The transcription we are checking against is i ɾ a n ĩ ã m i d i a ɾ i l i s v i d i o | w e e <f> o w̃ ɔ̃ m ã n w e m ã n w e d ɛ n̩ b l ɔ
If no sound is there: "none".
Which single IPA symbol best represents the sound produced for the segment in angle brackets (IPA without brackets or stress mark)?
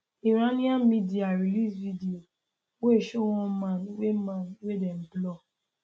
ʃ